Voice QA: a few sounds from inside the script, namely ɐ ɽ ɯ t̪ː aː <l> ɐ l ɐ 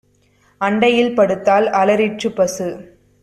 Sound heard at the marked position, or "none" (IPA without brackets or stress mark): l